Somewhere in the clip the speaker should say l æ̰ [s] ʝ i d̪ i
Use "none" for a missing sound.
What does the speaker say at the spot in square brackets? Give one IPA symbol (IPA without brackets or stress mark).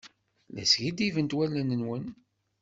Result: s